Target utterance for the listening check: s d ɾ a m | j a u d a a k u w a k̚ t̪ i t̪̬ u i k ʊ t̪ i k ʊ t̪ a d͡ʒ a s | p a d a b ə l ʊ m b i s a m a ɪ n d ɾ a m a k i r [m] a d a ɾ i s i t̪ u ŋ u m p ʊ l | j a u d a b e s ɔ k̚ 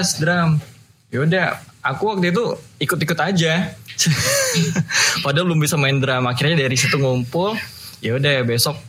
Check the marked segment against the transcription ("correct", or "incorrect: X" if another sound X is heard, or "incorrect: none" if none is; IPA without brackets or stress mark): incorrect: ɲ